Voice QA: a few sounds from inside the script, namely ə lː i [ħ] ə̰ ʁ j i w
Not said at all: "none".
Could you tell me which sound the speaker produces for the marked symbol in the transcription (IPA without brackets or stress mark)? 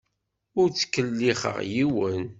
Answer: χ